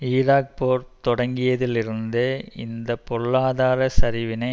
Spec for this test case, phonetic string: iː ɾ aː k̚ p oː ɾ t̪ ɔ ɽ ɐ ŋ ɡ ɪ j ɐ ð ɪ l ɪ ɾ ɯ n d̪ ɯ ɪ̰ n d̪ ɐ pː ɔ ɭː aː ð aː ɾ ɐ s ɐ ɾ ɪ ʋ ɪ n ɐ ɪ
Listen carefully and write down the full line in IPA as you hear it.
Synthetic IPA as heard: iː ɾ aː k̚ p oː ɾ t̪ ɔ ɽ ɐ ŋ ɡ ɪ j ɐ ð ɪ l ɪ ɾ ɯ n d̪ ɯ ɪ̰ n d̪ ɐ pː ɔ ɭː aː ð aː ɾ ɐ s ɐ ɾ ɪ ʋ ɪ n ɐ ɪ